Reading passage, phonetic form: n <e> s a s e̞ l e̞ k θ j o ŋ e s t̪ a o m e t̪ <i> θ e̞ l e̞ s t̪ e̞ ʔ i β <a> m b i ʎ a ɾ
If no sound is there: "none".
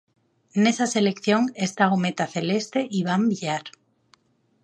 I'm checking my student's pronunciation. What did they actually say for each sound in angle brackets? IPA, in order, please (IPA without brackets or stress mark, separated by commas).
e, a, a